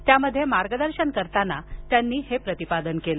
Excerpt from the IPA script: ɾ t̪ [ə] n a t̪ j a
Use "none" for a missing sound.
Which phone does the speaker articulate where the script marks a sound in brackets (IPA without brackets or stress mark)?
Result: a